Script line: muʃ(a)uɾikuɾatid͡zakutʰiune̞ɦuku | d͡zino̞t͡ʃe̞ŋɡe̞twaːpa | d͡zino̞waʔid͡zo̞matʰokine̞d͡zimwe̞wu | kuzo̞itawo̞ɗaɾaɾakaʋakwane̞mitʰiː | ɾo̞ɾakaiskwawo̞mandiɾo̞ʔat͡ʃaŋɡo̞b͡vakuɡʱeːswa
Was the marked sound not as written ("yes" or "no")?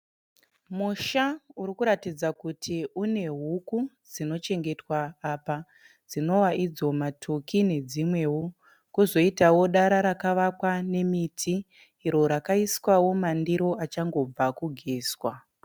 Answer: no